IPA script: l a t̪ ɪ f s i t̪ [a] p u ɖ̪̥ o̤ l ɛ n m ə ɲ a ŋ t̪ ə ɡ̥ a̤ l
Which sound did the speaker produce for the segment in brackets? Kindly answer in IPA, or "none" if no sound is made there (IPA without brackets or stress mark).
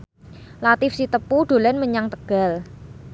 ə